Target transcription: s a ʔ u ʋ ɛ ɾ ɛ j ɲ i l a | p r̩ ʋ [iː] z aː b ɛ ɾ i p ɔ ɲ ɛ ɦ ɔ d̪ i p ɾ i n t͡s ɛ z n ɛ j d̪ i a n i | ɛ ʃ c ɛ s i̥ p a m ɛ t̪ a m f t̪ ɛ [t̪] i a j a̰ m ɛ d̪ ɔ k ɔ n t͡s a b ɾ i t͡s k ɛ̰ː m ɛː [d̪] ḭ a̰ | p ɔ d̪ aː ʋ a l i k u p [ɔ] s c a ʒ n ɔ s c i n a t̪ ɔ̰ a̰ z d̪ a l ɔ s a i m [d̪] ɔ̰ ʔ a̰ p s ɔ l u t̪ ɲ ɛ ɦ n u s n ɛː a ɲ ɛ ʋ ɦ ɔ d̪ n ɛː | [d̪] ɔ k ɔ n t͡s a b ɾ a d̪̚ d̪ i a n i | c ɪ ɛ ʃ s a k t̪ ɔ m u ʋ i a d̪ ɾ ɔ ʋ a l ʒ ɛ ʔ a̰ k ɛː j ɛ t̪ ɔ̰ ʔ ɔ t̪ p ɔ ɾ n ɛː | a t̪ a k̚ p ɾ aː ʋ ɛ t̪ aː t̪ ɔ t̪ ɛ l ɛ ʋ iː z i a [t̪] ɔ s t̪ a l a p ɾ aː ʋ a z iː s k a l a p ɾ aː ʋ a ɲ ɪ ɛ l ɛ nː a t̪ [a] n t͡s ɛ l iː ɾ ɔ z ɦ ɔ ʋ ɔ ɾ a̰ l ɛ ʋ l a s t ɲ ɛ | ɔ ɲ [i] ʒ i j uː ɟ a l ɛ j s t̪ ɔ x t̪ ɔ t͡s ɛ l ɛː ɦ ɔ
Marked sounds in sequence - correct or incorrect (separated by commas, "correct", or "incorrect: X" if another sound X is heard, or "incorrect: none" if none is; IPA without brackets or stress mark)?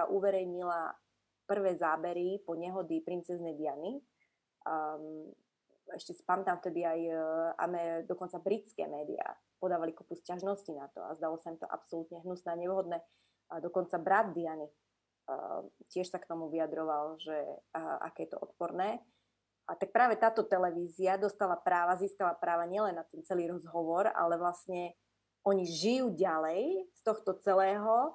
incorrect: ɛː, incorrect: d̪, correct, incorrect: u, incorrect: t̪, correct, incorrect: d̪, incorrect: ɛ, correct